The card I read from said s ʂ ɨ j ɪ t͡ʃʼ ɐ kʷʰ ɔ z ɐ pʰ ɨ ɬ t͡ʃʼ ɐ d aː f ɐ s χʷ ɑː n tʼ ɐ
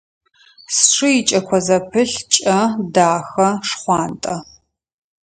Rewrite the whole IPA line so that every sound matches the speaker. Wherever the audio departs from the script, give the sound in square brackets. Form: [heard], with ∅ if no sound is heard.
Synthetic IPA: s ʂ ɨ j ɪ t͡ʃʼ ɐ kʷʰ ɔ z ɐ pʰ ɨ ɬ t͡ʃʼ ɐ d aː [x] ɐ [ʂ] χʷ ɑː n tʼ ɐ